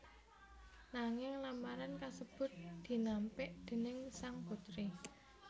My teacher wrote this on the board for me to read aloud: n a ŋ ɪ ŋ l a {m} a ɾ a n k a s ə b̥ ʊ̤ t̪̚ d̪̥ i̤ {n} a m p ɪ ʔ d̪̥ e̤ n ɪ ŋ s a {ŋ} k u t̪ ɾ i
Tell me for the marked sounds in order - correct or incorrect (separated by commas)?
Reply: correct, correct, correct